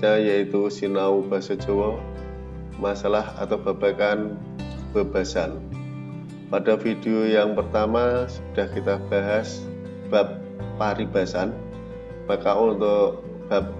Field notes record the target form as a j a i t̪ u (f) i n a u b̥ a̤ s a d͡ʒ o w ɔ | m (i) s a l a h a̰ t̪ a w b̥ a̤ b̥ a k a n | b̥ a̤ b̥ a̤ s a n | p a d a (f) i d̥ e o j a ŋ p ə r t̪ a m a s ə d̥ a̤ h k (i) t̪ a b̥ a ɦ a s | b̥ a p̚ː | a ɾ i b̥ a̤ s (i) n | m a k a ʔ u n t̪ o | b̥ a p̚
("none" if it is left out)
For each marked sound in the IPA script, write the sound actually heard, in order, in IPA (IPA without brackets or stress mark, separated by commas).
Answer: s, a, f, i, a